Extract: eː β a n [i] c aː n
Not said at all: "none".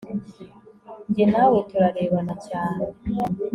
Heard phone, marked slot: a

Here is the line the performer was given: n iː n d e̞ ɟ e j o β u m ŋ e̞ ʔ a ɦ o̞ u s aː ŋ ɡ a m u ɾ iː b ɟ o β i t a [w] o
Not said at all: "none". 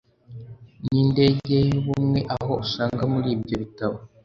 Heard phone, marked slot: β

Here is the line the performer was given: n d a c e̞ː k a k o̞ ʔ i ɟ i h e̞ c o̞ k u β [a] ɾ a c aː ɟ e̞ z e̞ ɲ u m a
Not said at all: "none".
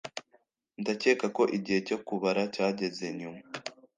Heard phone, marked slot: a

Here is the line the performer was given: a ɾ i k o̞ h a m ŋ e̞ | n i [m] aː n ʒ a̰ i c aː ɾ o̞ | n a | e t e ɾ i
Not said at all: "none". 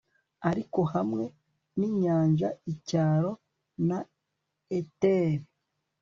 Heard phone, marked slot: ɲ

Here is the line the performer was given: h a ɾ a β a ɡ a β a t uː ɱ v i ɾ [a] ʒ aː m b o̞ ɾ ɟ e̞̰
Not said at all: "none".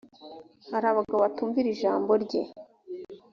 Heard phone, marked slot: i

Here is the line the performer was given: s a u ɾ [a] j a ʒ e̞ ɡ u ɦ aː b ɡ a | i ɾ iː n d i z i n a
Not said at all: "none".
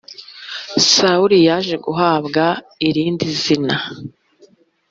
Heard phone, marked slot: i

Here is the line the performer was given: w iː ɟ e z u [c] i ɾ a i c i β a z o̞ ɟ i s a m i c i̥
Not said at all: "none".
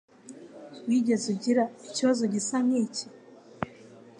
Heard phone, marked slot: ɟ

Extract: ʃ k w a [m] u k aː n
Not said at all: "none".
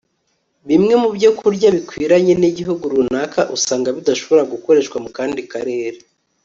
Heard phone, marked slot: m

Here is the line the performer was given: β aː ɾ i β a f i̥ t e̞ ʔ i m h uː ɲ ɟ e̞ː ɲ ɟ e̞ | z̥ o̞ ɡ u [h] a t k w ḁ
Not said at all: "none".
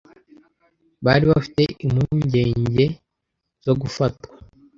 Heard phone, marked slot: f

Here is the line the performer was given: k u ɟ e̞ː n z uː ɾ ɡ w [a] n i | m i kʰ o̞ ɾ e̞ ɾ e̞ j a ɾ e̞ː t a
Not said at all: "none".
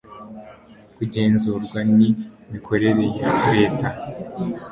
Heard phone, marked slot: a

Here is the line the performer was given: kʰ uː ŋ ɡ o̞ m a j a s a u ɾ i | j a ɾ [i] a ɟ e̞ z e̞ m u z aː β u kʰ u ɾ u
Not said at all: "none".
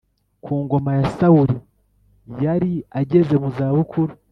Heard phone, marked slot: i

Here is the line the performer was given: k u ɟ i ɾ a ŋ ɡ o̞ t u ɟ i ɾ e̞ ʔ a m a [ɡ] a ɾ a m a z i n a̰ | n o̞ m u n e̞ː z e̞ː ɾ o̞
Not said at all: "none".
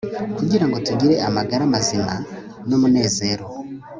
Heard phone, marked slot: ɡ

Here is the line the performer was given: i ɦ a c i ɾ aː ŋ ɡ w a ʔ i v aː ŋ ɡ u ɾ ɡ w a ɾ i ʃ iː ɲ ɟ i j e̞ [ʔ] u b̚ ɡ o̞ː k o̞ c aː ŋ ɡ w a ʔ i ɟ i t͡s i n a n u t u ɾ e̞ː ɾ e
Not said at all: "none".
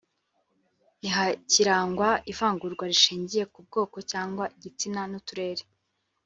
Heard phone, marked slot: k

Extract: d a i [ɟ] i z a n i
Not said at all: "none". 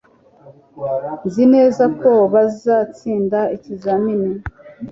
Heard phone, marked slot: c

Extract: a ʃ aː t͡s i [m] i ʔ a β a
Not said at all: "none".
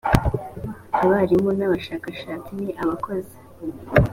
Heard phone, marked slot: n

